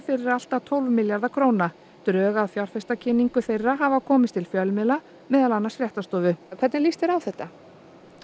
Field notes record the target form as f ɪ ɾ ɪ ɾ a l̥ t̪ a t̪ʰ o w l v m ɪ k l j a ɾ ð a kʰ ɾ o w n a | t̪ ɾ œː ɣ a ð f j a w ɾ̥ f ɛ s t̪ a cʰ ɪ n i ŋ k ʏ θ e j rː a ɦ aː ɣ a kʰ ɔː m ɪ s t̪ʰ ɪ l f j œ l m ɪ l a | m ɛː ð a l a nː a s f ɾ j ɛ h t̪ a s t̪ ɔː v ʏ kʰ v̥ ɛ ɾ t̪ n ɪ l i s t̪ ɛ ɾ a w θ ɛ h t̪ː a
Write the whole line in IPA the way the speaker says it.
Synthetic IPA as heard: f ɪ ɾ ɪ ɾ a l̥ t̪ a t̪ʰ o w l v m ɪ l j a ɾ ð a kʰ ɾ o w n a | t̪ ɾ œː ɣ a ð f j a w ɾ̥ f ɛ s t̪ a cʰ ɪ n i ŋ k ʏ θ e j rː a ɦ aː v a kʰ ɔː m ɪ s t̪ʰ ɪ l f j œ l m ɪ l a | m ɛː ð a l a nː a s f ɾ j ɛ h t̪ a s t̪ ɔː v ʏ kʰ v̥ ɛ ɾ t̪ n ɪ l i s t̪ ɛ ɾ a w θ ɛ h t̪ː a